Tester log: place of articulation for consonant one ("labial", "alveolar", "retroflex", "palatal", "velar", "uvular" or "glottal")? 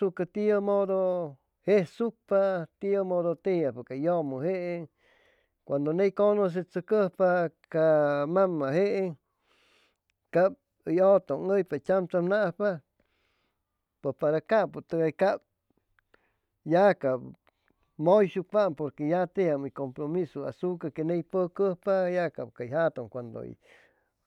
velar